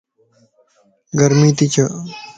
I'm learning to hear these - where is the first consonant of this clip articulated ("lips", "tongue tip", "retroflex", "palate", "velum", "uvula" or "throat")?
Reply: velum